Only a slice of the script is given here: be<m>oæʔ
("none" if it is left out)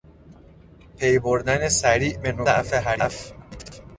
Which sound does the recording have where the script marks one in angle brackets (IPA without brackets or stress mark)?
n